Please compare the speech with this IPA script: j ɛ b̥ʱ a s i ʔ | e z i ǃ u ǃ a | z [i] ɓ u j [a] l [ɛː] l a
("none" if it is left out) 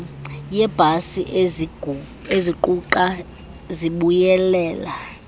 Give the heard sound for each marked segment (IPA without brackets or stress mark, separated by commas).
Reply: i, ɛ, ɛː